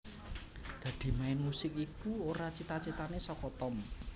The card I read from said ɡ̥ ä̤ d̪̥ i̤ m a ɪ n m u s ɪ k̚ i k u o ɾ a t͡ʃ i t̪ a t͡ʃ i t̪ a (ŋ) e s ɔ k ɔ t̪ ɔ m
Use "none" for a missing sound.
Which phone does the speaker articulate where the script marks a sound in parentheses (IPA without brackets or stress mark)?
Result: n